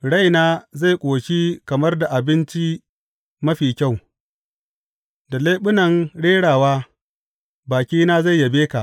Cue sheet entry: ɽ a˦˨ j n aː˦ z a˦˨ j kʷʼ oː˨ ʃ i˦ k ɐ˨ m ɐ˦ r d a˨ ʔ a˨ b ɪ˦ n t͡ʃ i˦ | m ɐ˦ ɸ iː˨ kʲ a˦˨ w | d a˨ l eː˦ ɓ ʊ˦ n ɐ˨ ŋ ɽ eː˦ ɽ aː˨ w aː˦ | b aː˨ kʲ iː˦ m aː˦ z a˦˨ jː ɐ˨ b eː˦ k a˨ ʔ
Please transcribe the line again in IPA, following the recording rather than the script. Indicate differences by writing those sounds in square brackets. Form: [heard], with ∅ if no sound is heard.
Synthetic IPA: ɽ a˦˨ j n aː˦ z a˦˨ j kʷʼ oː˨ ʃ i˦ k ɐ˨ m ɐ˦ r d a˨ ʔ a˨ b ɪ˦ n t͡ʃ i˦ | m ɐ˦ ɸ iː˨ kʲ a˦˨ w | d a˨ l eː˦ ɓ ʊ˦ n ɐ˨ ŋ ɽ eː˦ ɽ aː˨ w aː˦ | b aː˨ kʲ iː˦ [n] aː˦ z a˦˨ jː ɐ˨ b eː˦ k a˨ ʔ